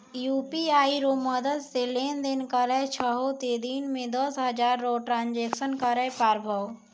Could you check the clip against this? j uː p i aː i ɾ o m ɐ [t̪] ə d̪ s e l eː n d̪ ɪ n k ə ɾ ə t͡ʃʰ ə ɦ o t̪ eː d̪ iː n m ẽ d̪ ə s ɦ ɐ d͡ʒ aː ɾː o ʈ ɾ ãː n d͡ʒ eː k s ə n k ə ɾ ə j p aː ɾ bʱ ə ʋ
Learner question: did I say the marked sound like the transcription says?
no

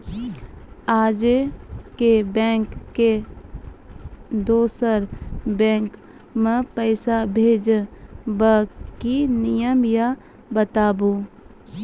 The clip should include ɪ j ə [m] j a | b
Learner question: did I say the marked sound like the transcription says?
yes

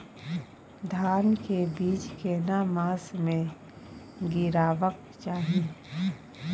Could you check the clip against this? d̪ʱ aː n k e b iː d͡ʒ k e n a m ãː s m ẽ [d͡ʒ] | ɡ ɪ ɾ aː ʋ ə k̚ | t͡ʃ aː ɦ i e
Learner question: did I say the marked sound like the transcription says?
no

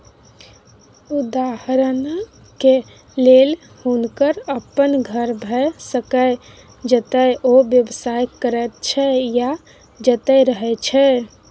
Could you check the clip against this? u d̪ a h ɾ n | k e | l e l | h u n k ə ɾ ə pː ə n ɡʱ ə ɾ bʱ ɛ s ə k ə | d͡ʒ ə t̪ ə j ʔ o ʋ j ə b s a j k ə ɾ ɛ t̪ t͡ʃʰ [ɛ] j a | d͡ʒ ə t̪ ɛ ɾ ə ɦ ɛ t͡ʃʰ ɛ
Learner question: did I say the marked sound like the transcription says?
yes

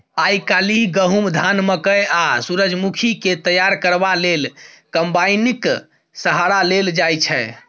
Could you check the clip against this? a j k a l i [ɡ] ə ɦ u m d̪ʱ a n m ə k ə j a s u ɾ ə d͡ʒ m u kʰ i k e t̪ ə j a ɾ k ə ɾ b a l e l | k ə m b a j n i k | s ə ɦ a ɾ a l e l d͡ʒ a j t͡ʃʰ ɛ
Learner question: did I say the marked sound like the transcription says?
yes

